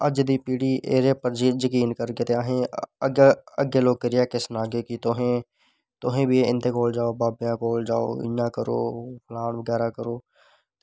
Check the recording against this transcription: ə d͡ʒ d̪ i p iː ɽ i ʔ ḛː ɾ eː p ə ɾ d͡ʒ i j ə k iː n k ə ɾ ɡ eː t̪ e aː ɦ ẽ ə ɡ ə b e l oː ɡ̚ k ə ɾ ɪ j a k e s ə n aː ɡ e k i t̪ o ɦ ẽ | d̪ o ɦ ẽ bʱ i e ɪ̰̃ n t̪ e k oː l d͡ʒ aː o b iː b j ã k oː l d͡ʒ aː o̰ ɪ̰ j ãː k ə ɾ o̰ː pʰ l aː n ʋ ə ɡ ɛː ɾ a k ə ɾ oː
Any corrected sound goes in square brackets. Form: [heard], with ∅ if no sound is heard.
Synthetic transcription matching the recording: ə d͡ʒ d̪ i p iː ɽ i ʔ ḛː ɾ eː p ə ɾ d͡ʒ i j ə k iː n k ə ɾ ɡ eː t̪ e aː ɦ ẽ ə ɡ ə [ɡ] e l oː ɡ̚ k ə ɾ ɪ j a k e s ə n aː ɡ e k i t̪ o ɦ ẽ | [t̪] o ɦ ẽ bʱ i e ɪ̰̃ n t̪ e k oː l d͡ʒ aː o b [aː] b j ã k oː l d͡ʒ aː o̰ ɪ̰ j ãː k ə ɾ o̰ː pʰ l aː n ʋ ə ɡ ɛː ɾ a k ə ɾ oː

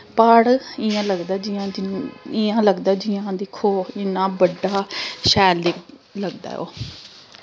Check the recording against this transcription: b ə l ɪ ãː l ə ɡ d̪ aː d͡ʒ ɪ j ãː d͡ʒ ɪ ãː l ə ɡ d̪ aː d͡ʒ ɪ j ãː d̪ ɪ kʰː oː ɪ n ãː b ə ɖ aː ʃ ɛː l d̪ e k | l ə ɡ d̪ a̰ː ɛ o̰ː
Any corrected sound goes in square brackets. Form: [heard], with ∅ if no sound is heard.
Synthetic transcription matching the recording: [p] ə [ɽ] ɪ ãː l ə ɡ d̪ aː d͡ʒ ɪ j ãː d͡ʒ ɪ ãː l ə ɡ d̪ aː d͡ʒ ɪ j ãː d̪ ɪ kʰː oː ɪ n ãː b ə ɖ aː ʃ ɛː l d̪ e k | l ə ɡ d̪ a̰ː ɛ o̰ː

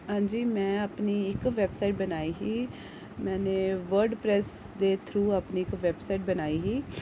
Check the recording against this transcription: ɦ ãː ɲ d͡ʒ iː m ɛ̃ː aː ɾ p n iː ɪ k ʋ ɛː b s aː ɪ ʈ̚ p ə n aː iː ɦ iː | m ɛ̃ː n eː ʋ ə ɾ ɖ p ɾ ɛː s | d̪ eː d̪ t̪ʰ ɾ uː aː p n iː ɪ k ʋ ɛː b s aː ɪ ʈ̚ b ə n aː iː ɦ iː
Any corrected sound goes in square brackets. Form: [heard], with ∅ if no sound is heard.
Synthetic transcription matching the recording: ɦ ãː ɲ d͡ʒ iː m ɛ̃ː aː [∅] p n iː ɪ k ʋ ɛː b s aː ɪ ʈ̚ [b] ə n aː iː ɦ iː | m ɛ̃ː n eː ʋ ə ɾ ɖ p ɾ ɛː s | d̪ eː [∅] t̪ʰ ɾ uː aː p n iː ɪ k ʋ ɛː b s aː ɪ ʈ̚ b ə n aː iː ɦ iː

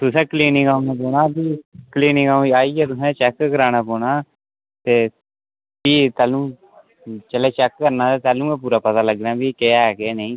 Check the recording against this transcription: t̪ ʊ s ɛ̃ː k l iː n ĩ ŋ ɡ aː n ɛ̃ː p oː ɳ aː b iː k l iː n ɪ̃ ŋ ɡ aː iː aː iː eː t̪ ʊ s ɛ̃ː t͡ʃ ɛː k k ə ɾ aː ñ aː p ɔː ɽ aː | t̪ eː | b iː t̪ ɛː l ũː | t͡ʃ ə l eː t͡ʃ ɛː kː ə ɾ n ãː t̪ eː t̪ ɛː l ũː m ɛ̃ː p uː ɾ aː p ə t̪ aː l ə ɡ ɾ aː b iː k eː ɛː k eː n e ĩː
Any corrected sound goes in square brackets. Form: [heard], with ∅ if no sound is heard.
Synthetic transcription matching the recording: t̪ ʊ s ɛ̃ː k l iː n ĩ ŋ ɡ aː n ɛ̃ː p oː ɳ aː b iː k l iː n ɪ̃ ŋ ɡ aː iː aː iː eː t̪ ʊ s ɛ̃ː t͡ʃ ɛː k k ə ɾ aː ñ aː p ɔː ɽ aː | t̪ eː | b iː t̪ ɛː l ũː | t͡ʃ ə l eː t͡ʃ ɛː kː ə ɾ n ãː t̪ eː t̪ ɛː l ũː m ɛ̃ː p uː ɾ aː p ə t̪ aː l ə ɡ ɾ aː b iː k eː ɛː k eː n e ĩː

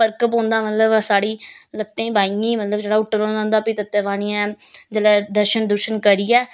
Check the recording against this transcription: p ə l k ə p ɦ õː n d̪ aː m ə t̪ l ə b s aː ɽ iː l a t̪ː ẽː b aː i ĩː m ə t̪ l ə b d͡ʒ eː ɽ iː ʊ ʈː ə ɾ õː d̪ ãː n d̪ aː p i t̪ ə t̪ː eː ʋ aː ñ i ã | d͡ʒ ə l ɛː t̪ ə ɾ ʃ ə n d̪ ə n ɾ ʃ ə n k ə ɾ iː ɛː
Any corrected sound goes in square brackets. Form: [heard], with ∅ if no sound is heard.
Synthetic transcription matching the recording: p ə [ɾ] k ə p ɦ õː n d̪ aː m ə t̪ l ə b s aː ɽ iː l [ə] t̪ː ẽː b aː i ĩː m ə t̪ l ə b d͡ʒ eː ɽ [aː] ʊ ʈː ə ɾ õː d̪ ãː n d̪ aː p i t̪ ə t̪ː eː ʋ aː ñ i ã | d͡ʒ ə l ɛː [d̪] ə ɾ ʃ ə n d̪ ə [∅] ɾ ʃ ə n k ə ɾ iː ɛː

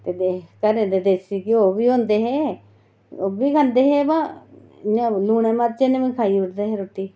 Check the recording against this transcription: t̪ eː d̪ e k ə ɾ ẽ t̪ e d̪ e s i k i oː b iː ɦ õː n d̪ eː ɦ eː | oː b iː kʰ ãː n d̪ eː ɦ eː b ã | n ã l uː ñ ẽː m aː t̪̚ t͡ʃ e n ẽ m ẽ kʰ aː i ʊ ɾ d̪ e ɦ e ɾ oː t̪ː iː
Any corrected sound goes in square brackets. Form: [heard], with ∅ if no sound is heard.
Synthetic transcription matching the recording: t̪ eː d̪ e k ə ɾ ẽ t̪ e d̪ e s i k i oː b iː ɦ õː n d̪ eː ɦ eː | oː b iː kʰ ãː n d̪ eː ɦ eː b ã | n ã l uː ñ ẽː m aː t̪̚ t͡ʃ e n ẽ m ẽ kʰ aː i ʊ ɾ d̪ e ɦ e ɾ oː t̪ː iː

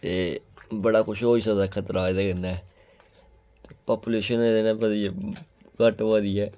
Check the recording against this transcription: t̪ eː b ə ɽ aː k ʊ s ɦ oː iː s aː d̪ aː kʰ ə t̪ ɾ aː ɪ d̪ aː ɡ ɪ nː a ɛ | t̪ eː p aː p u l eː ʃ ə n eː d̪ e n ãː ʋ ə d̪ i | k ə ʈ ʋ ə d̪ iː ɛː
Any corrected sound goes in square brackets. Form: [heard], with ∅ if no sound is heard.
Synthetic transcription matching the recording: t̪ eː b ə ɽ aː k ʊ [ʃ] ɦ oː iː s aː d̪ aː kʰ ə t̪ ɾ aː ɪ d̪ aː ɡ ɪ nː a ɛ | t̪ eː p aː p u l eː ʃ ə n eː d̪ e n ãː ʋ ə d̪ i | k ə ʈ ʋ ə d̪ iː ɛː

